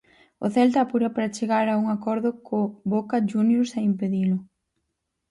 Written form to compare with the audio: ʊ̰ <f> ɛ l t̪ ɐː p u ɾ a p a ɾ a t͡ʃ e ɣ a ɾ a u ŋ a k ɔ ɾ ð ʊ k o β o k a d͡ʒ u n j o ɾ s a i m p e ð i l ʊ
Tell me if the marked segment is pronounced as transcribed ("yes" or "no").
no